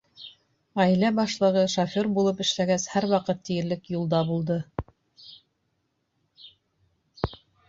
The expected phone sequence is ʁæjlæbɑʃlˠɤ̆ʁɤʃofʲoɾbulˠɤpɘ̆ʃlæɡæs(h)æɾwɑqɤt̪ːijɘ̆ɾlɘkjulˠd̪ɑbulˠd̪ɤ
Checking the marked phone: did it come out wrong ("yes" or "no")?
no